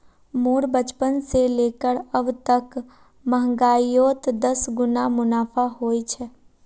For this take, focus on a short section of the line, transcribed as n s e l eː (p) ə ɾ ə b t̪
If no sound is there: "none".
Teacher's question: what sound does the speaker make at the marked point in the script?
k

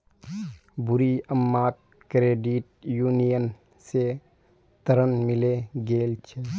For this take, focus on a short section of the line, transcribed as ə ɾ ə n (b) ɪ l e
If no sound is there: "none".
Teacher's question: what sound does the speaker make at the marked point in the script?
m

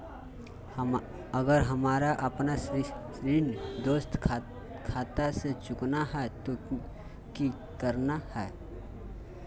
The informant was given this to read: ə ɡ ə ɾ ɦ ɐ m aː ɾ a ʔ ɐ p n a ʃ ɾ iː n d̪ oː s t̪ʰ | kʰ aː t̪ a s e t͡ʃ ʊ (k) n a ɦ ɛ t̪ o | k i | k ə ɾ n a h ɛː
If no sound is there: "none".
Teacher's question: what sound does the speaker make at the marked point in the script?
k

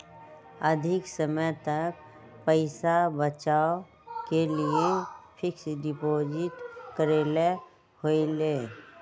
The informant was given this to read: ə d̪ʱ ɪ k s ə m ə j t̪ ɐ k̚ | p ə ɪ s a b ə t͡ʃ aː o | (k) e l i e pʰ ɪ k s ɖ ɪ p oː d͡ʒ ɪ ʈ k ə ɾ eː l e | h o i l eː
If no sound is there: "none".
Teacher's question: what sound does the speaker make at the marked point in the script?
k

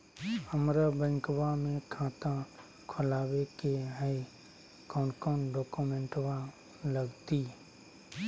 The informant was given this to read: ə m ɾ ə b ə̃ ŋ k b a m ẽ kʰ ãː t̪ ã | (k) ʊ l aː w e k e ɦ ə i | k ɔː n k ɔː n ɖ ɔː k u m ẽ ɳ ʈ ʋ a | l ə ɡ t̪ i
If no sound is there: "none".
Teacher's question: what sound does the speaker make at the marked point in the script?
kʰ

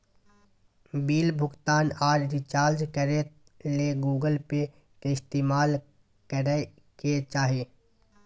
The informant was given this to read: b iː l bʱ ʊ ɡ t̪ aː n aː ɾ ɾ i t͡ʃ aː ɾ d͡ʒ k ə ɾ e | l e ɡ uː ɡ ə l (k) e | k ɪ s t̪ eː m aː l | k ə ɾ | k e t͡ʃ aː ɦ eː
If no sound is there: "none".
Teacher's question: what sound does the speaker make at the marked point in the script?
p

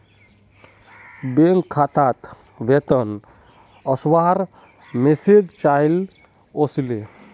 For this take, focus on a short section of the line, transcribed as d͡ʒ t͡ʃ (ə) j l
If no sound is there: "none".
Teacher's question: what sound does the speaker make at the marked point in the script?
a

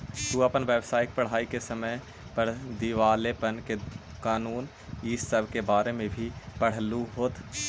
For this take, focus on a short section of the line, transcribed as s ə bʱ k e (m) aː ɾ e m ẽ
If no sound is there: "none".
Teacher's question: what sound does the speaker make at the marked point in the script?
b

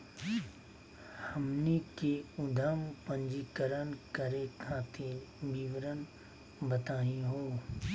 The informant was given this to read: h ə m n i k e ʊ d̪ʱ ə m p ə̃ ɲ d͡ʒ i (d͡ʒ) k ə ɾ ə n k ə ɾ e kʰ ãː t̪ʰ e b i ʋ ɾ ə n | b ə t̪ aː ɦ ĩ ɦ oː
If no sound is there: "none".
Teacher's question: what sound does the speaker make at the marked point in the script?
none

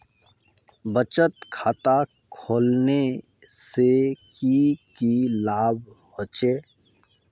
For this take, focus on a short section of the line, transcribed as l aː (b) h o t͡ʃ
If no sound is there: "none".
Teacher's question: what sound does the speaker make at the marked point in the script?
b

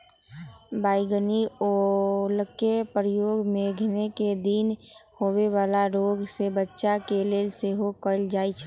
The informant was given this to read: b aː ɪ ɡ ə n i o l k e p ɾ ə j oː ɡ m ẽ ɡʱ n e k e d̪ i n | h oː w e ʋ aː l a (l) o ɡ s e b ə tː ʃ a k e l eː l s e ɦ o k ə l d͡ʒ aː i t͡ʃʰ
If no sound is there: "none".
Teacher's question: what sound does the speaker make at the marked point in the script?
ɾ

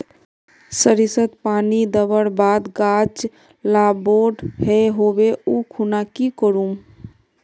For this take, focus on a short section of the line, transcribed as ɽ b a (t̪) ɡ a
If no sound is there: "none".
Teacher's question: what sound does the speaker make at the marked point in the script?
d̪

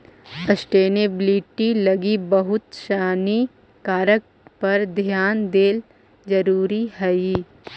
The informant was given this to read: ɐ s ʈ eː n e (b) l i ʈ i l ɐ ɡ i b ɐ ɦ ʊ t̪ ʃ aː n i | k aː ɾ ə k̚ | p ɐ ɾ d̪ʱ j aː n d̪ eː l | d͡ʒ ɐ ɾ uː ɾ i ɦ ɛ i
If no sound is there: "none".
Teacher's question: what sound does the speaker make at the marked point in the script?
b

